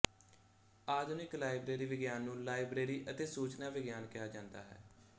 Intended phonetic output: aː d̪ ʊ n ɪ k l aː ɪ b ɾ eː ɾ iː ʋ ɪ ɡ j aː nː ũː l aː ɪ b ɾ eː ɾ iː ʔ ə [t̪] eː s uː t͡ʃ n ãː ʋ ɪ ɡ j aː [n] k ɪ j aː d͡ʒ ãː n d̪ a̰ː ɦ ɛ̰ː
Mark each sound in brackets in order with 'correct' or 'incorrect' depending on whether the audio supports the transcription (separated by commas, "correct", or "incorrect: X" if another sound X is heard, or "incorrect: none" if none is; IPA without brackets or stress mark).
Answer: correct, correct